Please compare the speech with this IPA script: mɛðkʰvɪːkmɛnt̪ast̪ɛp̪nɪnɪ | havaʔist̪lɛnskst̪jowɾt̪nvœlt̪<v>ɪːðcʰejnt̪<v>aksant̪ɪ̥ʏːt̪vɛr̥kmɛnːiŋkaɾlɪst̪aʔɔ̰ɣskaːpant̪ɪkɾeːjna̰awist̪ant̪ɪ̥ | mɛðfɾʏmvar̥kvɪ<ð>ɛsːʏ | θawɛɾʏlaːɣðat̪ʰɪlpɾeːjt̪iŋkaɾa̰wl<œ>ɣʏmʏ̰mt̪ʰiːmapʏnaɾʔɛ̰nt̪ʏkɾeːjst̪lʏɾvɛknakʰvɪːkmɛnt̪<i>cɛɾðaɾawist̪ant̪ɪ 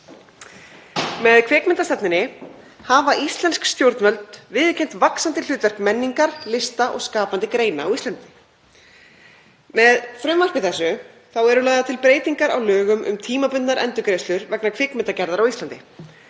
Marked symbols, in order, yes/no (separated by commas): yes, yes, no, no, no